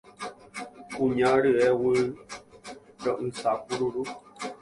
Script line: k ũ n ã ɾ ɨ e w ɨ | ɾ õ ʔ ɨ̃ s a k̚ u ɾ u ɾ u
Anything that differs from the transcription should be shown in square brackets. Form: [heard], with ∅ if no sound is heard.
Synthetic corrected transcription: k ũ [ɲ] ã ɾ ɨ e w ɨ | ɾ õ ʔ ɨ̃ s a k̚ u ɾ u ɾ u